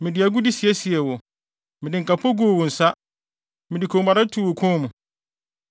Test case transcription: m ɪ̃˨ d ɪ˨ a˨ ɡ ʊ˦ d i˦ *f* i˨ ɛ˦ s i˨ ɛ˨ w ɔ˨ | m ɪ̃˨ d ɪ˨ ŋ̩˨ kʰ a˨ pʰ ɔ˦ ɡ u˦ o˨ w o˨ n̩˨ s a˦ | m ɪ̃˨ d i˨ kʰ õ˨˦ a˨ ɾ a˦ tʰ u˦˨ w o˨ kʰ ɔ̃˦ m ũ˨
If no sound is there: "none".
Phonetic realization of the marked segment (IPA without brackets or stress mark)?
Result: s